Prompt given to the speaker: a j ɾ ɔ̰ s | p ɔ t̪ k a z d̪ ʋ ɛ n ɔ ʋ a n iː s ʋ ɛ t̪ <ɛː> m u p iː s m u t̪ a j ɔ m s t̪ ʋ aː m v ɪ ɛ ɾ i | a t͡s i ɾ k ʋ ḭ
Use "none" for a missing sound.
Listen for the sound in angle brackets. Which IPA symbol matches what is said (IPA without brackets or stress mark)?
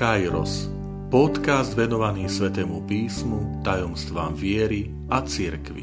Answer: ɛː